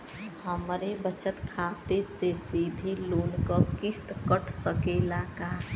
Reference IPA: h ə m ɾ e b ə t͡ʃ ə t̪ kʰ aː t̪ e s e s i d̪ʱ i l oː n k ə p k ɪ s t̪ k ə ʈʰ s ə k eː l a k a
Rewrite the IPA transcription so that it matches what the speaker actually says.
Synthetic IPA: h ə m ɾ e b ə t͡ʃ ə t̪ kʰ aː t̪ e s e s i d̪ʱ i l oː n k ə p k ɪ s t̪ k ə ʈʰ s ə k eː l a k a